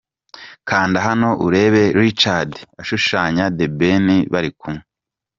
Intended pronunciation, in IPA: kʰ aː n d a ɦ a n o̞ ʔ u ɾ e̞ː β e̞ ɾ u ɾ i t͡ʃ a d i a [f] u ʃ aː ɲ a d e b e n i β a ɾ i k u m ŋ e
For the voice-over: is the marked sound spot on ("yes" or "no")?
no